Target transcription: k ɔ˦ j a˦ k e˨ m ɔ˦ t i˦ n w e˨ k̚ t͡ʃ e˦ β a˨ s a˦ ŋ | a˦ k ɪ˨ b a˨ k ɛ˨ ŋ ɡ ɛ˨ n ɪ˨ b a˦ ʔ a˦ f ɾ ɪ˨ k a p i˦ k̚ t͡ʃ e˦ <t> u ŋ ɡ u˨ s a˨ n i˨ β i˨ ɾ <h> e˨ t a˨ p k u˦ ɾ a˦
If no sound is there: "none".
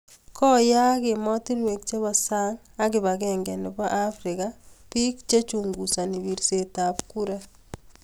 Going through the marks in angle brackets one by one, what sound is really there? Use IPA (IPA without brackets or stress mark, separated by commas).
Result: t͡ʃ, s